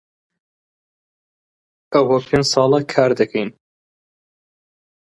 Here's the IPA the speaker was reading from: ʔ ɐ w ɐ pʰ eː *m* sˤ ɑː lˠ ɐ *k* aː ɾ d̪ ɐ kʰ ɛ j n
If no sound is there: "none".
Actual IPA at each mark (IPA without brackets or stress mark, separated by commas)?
n, kʰ